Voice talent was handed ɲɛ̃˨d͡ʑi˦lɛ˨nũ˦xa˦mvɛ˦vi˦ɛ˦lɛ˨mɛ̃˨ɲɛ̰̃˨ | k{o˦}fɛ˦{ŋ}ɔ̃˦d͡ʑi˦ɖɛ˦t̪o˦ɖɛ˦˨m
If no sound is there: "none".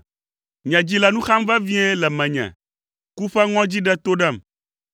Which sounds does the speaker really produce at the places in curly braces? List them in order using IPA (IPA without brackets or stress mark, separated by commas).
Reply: u˦, ŋ